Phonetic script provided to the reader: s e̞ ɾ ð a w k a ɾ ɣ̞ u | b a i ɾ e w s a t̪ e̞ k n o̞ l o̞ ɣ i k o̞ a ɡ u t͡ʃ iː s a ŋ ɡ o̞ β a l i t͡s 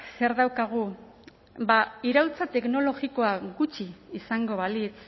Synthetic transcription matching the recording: s e̞ ɾ ð a w k a ɣ̞ u | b a i ɾ a w t͡s a t̪ e̞ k n o̞ l o̞ ɣ i k o̞ a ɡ u t͡ʃ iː s a ŋ ɡ o̞ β a l i t͡s